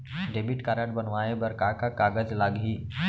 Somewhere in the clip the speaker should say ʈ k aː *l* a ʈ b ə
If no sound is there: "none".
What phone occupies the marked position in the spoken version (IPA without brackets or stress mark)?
ɾ